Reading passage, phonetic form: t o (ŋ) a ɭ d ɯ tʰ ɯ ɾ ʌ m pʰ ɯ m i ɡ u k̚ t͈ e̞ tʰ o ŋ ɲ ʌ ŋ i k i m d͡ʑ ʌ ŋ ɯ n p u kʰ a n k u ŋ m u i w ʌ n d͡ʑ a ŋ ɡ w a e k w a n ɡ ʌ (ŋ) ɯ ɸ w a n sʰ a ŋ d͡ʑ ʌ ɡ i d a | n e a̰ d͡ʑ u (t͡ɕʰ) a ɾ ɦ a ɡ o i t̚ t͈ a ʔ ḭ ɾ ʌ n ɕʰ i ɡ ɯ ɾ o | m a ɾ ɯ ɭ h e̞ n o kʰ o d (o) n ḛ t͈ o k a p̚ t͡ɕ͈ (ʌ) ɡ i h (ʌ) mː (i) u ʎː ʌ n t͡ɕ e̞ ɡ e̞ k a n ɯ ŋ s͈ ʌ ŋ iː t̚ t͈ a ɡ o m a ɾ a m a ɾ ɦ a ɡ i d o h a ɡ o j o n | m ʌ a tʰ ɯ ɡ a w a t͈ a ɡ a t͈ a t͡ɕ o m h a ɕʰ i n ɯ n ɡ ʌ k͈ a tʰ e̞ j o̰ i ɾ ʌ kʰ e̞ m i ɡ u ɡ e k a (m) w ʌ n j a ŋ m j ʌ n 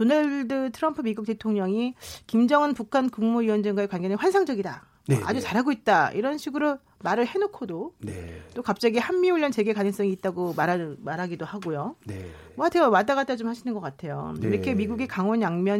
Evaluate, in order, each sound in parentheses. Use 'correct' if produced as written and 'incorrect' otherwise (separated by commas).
incorrect, incorrect, incorrect, correct, incorrect, incorrect, correct, incorrect